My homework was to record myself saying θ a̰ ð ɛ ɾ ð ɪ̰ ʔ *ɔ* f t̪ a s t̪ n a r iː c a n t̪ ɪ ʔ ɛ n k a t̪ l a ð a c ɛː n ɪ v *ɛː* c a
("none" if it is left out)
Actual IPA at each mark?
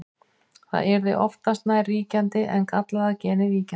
ɔ, iː

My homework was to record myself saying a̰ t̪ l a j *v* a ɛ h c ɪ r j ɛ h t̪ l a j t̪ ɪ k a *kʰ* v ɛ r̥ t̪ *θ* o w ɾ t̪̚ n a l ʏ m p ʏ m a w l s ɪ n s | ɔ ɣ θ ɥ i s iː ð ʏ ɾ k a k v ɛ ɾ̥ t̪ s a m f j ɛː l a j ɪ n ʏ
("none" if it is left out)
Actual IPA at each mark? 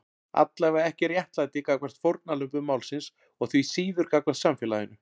v, k, f

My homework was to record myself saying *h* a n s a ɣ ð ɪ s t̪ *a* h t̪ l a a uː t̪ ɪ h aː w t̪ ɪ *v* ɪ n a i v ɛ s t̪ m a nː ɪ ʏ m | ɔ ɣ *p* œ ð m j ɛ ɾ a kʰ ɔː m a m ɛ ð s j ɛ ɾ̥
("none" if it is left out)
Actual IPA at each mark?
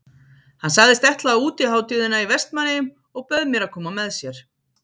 h, ɛ, ð, p

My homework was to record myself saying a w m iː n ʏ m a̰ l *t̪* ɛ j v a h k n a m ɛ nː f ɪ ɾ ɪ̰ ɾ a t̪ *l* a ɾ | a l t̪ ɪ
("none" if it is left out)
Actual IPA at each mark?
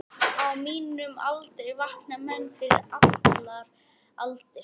t̪, l

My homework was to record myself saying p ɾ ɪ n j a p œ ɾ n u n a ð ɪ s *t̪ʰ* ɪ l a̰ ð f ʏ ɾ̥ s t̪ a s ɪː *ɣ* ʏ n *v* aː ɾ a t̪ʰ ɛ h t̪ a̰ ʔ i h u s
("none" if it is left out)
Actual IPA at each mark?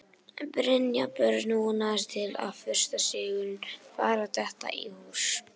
t̪ʰ, ɣ, f

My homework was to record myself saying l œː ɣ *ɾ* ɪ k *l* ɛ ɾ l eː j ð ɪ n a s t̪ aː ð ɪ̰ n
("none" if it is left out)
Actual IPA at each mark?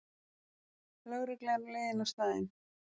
ɾ, l

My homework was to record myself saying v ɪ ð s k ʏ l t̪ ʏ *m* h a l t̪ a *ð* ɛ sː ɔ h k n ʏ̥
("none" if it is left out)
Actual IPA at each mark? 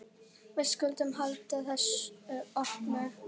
m, θ

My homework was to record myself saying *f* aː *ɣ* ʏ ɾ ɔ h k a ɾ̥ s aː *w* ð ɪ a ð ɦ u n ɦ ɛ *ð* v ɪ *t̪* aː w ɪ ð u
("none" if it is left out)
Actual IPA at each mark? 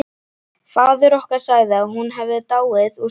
f, ð, ɣ, none, t̪

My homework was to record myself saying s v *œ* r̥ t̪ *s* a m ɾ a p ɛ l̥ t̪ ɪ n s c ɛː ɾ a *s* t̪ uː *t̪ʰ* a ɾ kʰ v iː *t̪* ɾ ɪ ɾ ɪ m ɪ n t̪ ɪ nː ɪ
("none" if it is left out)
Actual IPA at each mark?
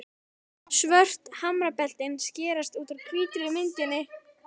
œ, h, s, t̪, t̪

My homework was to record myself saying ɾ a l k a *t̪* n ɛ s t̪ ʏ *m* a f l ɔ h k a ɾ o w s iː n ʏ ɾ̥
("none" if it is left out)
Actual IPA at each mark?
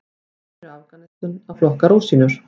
none, n

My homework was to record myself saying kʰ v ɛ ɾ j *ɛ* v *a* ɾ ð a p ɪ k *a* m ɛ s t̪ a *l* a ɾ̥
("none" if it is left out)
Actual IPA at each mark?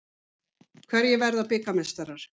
ɛ, ɛ, a, ɾ

